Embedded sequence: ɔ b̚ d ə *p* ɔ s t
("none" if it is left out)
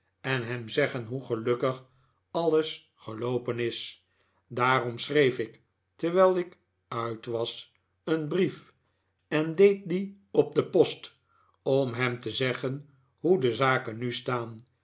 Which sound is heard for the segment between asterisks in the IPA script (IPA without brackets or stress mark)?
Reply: p